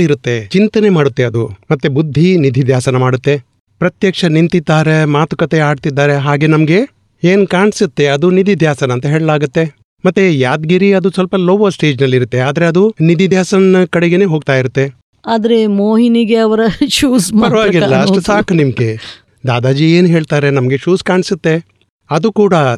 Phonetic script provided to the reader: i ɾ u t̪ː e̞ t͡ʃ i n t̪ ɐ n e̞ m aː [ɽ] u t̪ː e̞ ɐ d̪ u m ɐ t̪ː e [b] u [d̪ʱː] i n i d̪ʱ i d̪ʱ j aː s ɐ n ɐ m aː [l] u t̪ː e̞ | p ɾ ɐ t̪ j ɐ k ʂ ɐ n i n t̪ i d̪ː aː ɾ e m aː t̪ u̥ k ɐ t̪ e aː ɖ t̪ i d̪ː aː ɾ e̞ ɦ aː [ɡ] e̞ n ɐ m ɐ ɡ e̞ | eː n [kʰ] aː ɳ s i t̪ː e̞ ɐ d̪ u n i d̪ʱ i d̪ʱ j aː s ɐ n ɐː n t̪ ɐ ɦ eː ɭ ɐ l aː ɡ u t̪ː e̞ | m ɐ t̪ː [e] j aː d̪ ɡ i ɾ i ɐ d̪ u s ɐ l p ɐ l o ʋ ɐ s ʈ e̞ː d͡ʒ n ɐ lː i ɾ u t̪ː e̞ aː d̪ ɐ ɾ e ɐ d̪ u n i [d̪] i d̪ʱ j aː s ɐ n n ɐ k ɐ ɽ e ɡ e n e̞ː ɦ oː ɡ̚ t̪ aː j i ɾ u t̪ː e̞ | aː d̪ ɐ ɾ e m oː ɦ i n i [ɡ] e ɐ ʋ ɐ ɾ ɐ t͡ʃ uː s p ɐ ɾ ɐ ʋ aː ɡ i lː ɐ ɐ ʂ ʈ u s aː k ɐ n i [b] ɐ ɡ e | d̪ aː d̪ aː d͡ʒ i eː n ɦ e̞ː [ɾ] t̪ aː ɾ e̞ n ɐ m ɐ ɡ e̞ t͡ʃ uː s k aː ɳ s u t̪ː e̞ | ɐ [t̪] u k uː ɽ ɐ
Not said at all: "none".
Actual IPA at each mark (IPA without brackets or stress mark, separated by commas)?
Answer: ɽ, b, d̪ʱː, ɽ, ɡ, k, e, d̪, ɡ, m, ɭ, d̪